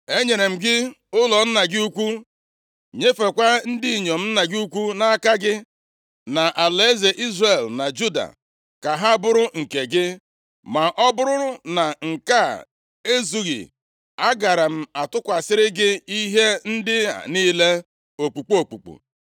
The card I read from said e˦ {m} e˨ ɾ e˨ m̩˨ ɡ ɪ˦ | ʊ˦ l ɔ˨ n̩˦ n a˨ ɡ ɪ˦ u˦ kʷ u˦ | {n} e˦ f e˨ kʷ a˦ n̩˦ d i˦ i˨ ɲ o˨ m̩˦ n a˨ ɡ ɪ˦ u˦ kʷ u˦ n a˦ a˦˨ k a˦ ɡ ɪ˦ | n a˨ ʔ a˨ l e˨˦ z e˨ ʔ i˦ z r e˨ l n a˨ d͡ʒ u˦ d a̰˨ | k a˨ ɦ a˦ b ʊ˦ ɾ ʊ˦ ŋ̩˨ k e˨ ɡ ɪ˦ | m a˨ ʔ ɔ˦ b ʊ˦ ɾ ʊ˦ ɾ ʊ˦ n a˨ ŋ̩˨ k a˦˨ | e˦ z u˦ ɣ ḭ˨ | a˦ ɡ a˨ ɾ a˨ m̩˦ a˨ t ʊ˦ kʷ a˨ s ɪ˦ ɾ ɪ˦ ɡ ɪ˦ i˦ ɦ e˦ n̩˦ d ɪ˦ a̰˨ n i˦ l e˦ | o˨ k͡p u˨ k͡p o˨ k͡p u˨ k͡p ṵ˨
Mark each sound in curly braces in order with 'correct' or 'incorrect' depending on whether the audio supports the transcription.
incorrect: ɲ, incorrect: ɲ

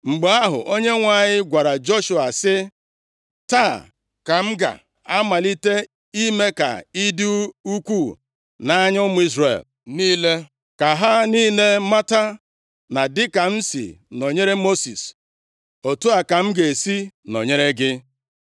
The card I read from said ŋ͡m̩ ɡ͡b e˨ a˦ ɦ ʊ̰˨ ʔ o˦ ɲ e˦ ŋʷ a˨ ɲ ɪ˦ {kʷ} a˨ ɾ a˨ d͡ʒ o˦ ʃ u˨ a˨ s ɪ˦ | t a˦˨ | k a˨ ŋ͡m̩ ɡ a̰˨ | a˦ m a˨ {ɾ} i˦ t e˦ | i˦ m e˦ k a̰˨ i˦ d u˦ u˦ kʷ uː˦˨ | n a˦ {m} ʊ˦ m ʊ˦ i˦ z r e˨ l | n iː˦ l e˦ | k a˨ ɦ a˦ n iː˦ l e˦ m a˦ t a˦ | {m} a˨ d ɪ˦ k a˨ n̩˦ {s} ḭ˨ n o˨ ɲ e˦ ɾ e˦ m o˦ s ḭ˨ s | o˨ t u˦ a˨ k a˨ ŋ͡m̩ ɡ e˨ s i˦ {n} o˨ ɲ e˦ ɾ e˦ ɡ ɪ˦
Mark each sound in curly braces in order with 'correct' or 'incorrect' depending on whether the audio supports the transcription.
incorrect: ɡʷ, incorrect: l, incorrect: ɲ, incorrect: n, correct, correct

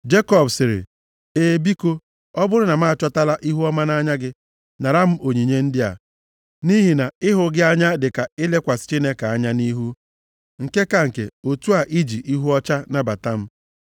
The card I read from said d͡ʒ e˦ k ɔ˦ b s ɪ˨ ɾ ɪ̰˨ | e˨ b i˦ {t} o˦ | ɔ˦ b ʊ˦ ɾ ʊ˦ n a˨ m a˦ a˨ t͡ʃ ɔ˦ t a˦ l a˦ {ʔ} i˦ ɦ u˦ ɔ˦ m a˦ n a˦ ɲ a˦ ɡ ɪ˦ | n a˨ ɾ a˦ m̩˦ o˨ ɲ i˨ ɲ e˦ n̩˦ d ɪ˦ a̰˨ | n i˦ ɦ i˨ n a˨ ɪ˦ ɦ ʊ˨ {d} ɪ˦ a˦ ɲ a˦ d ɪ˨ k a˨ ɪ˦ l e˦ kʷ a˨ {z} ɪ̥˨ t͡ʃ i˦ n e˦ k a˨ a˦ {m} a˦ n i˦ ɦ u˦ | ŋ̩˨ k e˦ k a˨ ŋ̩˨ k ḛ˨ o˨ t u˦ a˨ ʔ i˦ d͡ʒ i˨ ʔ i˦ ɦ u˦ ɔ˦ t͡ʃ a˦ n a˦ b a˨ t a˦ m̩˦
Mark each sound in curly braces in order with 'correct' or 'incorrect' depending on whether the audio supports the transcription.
incorrect: k, correct, incorrect: ɡ, incorrect: s, incorrect: ɲ

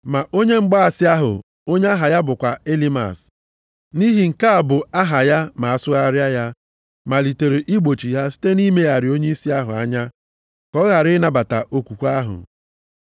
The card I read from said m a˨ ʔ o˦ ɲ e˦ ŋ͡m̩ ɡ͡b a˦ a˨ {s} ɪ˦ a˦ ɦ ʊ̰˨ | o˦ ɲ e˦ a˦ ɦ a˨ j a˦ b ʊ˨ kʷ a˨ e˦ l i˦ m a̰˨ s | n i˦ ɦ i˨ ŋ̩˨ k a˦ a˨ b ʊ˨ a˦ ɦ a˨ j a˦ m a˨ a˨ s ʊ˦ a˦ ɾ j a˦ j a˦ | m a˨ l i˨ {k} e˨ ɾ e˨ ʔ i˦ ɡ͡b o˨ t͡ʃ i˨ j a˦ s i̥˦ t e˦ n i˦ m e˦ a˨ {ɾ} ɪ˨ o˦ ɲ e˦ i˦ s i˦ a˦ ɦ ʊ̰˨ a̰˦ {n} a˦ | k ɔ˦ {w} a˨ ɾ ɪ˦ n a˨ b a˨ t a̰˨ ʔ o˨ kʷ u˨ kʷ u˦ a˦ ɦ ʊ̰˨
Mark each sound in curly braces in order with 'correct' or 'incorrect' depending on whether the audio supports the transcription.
correct, incorrect: t, correct, incorrect: ɲ, incorrect: ɣ

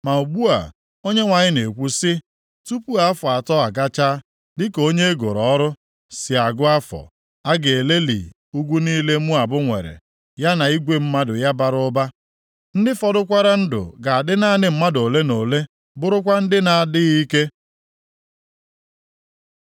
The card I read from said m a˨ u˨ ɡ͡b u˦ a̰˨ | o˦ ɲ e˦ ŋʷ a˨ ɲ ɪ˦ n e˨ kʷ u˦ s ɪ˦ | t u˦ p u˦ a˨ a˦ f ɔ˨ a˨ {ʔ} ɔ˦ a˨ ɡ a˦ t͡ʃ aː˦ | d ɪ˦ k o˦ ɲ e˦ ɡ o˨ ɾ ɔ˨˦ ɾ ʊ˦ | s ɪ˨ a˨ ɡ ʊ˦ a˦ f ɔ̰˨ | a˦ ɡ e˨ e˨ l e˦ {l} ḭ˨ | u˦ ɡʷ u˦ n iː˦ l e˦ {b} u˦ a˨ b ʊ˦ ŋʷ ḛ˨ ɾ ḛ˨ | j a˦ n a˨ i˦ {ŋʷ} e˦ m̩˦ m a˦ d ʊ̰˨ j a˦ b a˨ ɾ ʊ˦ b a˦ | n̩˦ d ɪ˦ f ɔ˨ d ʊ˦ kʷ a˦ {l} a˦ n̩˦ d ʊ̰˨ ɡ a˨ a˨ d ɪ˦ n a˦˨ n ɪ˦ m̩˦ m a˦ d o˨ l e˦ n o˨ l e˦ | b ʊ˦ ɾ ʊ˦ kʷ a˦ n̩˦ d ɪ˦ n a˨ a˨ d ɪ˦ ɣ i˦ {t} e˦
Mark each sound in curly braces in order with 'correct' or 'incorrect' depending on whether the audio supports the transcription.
incorrect: t, correct, incorrect: m, incorrect: ɡʷ, incorrect: ɾ, incorrect: k

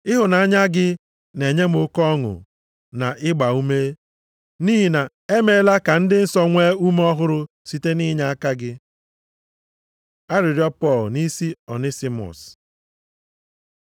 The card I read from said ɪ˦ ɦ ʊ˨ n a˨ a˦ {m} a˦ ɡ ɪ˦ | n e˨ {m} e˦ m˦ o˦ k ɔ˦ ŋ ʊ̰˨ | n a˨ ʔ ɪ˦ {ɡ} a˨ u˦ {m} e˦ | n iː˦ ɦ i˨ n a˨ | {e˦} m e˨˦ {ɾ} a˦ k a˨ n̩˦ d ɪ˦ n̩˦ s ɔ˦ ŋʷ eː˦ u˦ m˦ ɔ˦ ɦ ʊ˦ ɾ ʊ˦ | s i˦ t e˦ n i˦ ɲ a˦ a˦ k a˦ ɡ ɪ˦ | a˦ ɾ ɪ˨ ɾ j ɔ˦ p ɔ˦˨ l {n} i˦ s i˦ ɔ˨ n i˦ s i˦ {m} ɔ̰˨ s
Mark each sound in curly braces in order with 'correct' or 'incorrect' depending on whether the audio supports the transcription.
incorrect: ɲ, incorrect: ɲ, incorrect: ɡ͡b, correct, correct, incorrect: l, correct, correct

